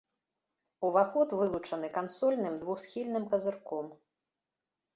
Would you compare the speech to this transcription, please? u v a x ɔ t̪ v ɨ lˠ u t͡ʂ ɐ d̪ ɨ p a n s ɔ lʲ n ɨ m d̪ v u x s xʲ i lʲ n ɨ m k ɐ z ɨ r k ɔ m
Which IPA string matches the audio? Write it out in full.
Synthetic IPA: u v a x ɔ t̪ v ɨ lˠ u t͡ʂ ɐ n̪ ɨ k a n s ɔ lʲ n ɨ m d̪ v u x s xʲ i lʲ n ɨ m k ɐ z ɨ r k ɔ m